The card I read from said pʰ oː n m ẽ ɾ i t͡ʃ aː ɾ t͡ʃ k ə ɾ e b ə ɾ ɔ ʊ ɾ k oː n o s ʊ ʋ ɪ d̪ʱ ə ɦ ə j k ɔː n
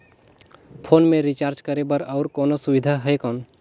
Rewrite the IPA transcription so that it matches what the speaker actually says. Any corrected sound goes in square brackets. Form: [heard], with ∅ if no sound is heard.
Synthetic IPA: pʰ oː n m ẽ ɾ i t͡ʃ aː ɾ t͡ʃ k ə ɾ e b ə ɾ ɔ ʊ ɾ k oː n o s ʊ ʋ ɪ d̪ʱ [a] ɦ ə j k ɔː n